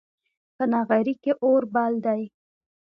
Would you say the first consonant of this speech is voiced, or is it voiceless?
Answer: voiceless